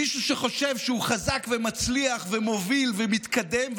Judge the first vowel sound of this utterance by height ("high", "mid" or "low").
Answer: high